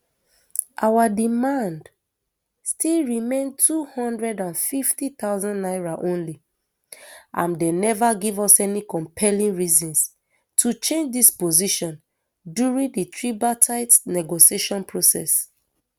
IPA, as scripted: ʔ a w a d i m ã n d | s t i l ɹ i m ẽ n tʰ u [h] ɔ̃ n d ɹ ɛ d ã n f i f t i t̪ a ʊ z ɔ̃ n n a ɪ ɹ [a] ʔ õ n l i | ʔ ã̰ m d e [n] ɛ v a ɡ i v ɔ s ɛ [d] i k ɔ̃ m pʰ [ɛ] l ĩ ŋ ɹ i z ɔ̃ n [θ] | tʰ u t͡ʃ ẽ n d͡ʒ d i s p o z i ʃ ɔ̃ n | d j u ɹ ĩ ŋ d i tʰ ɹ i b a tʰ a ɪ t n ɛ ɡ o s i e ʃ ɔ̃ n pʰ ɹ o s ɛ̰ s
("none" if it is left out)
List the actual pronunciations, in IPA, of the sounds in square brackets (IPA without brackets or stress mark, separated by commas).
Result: h, a, n, n, ɛ, s